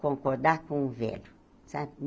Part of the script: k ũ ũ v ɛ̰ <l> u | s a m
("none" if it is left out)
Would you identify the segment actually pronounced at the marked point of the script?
l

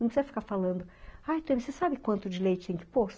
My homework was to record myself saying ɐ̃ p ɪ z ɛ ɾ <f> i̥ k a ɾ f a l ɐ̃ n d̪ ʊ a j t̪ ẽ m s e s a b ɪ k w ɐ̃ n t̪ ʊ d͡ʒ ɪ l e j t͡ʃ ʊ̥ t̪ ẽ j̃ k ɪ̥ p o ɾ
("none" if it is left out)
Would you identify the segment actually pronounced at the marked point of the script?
f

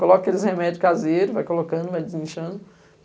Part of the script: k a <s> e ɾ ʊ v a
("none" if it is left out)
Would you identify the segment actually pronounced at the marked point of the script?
z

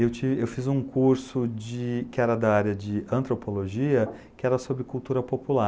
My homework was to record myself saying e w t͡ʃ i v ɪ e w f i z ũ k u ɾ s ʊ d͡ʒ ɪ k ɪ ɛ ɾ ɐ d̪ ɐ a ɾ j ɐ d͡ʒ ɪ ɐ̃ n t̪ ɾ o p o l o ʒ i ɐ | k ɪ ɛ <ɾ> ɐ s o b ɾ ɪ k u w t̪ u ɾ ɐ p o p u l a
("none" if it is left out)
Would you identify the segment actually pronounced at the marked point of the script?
ɾ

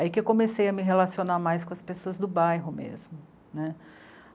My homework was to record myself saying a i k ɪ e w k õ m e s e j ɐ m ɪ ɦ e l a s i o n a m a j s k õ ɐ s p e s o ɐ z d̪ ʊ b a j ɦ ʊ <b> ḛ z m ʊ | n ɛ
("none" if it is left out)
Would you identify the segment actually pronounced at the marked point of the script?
m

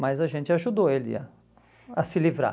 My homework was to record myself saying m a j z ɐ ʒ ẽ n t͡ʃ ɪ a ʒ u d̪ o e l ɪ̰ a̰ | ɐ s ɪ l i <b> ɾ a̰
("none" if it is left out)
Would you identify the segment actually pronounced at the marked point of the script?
v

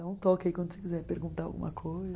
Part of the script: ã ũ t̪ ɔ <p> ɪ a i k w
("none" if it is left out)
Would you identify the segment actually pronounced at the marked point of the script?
k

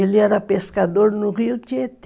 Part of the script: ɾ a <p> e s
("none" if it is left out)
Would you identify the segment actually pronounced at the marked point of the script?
p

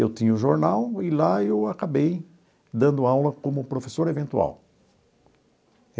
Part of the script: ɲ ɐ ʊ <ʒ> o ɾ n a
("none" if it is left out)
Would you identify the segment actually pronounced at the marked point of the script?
ʒ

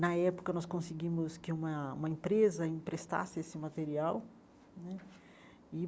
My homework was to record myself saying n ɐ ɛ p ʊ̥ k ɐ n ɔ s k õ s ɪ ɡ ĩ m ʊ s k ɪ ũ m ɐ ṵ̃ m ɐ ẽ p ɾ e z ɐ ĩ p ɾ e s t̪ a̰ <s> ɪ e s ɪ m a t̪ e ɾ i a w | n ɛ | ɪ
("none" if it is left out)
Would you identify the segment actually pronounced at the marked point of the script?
s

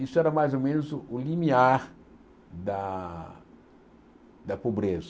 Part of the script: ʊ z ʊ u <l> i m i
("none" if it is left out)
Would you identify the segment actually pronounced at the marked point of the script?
l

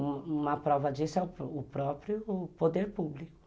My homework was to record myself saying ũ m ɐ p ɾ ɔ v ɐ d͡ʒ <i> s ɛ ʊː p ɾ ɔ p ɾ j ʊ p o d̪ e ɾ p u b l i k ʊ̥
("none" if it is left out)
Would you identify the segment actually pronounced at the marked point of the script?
i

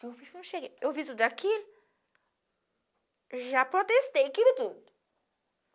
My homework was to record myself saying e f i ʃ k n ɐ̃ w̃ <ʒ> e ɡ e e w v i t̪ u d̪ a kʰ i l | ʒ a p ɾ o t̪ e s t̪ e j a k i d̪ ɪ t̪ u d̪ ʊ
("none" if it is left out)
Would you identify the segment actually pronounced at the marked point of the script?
ʃ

